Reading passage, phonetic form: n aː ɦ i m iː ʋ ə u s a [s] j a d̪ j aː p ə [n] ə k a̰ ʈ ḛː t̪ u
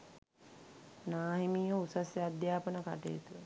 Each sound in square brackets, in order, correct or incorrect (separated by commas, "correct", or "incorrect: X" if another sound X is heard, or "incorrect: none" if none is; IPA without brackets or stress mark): correct, correct